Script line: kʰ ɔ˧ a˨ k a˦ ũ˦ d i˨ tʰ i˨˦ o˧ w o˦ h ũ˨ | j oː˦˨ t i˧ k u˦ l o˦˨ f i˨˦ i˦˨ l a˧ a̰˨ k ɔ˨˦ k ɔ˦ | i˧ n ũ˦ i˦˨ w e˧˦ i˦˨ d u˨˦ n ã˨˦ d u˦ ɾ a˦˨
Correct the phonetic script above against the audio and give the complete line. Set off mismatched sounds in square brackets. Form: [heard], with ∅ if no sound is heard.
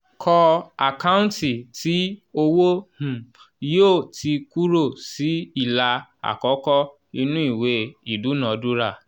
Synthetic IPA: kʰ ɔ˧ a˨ k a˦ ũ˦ [t] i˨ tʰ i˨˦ o˧ w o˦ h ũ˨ | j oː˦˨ t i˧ k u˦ [ɾ] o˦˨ [s] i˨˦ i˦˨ l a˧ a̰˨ k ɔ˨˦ k ɔ˦ | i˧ n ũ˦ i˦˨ w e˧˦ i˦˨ d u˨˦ n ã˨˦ d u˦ ɾ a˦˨